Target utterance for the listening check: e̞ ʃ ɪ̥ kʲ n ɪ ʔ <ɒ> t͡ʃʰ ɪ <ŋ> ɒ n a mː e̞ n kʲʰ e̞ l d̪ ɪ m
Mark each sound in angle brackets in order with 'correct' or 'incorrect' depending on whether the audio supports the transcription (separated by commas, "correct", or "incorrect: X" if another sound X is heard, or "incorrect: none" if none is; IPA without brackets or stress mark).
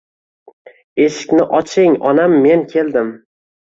correct, correct